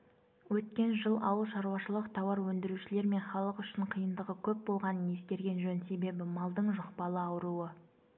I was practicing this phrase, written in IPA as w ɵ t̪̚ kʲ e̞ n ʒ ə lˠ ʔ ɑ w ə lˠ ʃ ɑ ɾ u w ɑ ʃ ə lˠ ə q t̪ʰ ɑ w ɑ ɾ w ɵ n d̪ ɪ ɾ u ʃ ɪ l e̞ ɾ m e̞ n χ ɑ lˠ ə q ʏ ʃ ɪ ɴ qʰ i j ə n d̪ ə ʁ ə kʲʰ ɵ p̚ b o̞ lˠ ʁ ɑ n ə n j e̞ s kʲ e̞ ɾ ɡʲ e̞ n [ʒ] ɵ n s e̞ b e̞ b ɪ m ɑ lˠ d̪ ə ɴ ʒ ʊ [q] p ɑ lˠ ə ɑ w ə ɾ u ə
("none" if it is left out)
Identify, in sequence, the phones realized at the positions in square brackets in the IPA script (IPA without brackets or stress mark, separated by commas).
ʒ, q